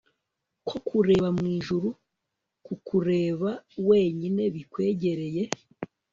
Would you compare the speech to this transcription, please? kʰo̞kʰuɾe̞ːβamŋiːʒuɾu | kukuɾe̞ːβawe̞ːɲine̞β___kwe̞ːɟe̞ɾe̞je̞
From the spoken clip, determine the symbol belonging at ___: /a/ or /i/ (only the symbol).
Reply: i